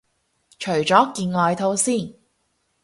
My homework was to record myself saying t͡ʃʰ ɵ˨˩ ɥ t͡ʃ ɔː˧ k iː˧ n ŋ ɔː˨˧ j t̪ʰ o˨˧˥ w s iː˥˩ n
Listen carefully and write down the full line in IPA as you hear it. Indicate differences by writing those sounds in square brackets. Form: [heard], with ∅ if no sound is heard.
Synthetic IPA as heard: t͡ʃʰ ɵ˨˩ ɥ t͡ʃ [ɔː˨˥] k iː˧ n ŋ ɔː˨˧ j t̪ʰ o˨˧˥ w s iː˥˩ n

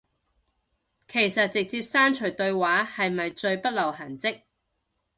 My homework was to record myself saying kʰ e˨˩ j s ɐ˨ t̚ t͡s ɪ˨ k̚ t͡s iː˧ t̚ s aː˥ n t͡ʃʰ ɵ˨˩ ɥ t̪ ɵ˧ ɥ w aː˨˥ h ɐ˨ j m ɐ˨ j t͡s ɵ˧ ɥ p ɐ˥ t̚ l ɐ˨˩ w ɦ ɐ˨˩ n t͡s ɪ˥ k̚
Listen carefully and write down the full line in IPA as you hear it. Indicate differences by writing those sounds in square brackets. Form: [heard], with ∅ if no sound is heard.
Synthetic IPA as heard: kʰ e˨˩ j s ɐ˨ t̚ t͡s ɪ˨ k̚ t͡s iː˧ [p̚] s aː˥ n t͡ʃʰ ɵ˨˩ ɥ t̪ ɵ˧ ɥ w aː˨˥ h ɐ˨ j m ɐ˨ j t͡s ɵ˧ ɥ p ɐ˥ t̚ l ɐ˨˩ w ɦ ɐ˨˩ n t͡s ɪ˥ k̚

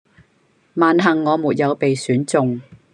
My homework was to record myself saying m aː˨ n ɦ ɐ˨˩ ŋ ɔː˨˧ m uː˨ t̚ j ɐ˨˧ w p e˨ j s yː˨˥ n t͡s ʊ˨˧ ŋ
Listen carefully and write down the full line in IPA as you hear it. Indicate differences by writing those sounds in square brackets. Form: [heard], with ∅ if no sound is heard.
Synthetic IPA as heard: m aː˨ n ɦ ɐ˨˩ [ŋː] ɔː˨˧ m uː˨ t̚ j ɐ˨˧ w p e˨ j s yː˨˥ n t͡s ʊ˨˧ ŋ

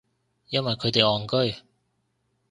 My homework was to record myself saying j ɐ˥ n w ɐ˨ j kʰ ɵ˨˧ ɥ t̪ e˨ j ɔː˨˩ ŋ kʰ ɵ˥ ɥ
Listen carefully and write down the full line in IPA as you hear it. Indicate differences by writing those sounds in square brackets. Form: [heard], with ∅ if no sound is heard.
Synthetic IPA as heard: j ɐ˥ n w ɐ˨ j kʰ ɵ˨˧ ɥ t̪ e˨ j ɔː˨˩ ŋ [k] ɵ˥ ɥ

